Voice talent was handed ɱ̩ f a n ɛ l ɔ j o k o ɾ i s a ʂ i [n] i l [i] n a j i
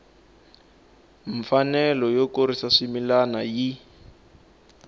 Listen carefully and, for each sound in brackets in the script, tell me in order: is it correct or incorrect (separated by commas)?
incorrect, incorrect